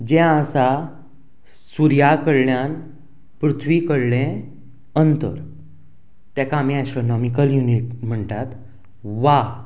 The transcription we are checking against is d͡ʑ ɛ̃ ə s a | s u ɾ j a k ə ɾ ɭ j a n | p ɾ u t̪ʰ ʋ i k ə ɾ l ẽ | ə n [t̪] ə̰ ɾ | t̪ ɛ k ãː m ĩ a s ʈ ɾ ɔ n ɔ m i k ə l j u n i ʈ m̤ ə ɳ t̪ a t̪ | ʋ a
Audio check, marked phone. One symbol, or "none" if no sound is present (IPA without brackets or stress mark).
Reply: t̪